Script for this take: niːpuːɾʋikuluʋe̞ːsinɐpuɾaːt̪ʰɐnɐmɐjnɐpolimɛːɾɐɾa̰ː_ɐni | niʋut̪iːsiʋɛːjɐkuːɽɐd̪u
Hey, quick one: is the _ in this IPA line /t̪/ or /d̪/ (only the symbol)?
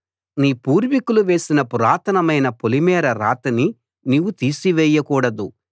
t̪